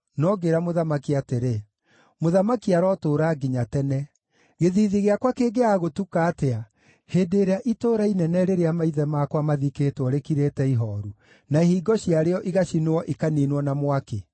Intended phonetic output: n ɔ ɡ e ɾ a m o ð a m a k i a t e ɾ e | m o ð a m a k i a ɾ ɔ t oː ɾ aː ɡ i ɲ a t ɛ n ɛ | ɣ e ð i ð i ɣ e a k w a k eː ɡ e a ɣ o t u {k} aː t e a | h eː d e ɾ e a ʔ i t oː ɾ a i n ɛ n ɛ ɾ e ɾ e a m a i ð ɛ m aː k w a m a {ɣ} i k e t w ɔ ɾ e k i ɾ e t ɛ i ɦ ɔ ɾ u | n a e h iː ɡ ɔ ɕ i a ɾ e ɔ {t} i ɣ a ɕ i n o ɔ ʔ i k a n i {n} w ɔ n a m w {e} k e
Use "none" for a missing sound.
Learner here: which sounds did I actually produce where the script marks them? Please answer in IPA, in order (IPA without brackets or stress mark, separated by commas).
k, ð, ʔ, n, a